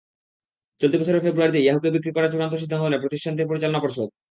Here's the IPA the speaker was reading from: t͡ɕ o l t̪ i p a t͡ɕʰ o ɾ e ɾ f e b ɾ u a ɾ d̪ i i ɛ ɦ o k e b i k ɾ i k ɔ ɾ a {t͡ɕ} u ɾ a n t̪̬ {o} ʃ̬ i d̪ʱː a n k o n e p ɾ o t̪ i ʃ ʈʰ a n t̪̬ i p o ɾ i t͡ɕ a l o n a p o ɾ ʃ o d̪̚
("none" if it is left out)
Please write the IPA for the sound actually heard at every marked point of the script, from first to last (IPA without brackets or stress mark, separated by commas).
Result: t͡ɕ, o